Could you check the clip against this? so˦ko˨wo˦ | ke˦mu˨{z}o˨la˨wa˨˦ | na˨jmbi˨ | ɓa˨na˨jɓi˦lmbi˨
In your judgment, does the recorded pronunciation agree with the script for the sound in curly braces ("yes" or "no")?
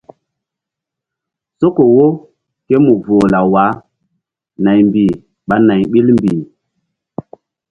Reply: no